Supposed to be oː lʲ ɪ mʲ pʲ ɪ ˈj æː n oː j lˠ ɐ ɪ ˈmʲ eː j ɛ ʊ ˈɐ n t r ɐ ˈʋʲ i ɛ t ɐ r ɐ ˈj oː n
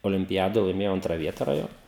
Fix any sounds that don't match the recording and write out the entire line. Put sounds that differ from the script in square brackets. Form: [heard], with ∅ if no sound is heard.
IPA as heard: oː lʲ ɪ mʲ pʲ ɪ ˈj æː [d] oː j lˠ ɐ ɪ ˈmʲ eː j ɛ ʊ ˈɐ n t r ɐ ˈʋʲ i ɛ t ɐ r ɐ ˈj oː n

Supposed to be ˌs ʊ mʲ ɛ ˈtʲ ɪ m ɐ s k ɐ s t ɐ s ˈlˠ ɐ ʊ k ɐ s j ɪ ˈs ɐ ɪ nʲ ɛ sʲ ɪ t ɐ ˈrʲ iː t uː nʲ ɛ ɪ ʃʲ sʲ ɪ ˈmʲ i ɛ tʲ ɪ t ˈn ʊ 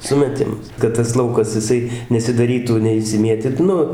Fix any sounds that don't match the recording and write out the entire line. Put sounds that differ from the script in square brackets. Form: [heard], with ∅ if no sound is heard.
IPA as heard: ˌs ʊ mʲ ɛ ˈtʲ ɪ m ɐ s k ɐ [t] t ɐ s ˈlˠ ɐ ʊ k ɐ s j ɪ ˈs ɐ ɪ nʲ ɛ sʲ ɪ [d] ɐ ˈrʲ iː t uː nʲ ɛ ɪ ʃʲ sʲ ɪ ˈmʲ i ɛ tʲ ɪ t ˈn ʊ

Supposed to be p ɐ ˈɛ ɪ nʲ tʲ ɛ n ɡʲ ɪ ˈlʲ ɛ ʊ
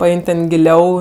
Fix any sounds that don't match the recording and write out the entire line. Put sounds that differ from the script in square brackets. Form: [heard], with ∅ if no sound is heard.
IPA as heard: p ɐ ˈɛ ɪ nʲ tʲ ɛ n ɡʲ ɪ ˈlʲ ɛ ʊ

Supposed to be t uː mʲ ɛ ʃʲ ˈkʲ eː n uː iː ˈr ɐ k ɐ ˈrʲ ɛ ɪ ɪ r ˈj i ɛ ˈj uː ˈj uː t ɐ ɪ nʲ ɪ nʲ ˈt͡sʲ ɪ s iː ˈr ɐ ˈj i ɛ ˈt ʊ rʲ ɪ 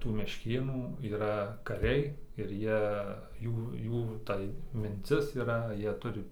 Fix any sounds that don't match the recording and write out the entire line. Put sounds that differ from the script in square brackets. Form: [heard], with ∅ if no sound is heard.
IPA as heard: t uː mʲ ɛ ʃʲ ˈkʲ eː n uː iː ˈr ɐ k ɐ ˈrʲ ɛ ɪ ɪ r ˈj i ɛ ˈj uː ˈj uː t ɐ ɪ [mʲ] ɪ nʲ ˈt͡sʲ ɪ s iː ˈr ɐ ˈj i ɛ ˈt ʊ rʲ ɪ

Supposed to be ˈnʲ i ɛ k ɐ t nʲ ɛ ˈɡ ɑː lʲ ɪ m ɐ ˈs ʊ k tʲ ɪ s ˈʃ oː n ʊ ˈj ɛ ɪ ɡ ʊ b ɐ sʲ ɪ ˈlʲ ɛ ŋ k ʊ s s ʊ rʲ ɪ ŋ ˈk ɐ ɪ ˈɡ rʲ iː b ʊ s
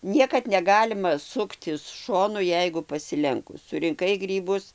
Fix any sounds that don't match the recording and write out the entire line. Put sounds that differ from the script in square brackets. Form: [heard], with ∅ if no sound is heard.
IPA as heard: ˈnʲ i ɛ k ɐ t nʲ ɛ ˈɡ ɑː lʲ ɪ m ɐ ˈs ʊ k tʲ ɪ s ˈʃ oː n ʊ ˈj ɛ ɪ ɡ ʊ [p] ɐ sʲ ɪ ˈlʲ ɛ ŋ k ʊ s s ʊ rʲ ɪ ŋ ˈk ɐ ɪ ˈɡ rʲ iː b ʊ s

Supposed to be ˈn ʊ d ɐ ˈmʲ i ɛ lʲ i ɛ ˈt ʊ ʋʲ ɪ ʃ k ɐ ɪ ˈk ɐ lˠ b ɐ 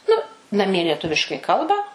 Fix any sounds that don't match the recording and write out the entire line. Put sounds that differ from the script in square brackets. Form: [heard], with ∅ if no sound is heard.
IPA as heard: ˈn ʊ [n] ɐ ˈmʲ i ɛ lʲ i ɛ ˈt ʊ ʋʲ ɪ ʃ k ɐ ɪ ˈk ɐ lˠ b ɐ

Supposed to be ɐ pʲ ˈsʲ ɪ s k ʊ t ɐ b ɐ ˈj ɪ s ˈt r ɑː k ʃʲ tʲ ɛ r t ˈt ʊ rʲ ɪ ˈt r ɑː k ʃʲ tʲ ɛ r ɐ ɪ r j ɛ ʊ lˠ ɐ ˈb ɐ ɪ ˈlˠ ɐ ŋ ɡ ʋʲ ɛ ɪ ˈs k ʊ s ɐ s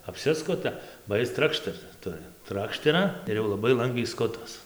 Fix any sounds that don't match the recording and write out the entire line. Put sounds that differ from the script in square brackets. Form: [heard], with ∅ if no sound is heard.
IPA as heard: ɐ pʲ ˈsʲ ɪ s k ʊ t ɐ b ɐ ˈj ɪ s ˈt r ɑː k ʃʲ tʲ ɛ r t ˈt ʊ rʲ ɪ ˈt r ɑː k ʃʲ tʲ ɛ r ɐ ɪ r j ɛ ʊ lˠ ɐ ˈb ɐ ɪ ˈlˠ ɐ ŋ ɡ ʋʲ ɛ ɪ ˈs k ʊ [t] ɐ s

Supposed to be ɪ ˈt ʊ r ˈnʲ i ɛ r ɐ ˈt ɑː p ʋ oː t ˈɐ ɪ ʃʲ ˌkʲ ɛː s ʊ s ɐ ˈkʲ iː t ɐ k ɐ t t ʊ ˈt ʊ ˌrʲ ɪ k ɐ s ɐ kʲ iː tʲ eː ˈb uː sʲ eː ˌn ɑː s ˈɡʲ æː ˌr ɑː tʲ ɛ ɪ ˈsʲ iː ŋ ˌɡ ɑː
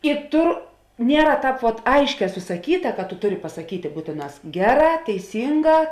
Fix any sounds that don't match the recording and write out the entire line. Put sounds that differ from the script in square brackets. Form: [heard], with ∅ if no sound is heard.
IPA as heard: ɪ ˈt ʊ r ˈnʲ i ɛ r ɐ ˈt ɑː p ʋ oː t ˈɐ ɪ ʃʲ ˌkʲ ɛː s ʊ s ɐ ˈkʲ iː t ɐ k ɐ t t ʊ ˈt ʊ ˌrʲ ɪ [p] ɐ s ɐ kʲ iː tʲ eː ˈb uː [tʲ] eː ˌn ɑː s ˈɡʲ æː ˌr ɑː tʲ ɛ ɪ ˈsʲ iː ŋ ˌɡ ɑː

